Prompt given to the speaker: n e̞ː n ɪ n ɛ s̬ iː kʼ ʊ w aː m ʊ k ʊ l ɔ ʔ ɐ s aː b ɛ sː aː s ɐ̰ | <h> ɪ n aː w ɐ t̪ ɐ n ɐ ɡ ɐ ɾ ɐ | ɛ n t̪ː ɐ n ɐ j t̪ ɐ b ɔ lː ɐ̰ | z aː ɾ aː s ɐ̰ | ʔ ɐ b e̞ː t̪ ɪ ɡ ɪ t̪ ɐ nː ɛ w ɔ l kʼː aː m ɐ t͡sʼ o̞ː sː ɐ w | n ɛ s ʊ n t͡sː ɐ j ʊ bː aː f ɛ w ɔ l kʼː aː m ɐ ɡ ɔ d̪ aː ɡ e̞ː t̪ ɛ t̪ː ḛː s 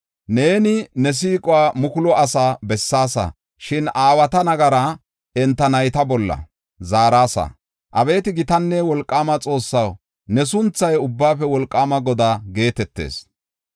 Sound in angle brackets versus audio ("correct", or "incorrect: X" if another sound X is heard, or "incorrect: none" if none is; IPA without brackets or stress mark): incorrect: ʃ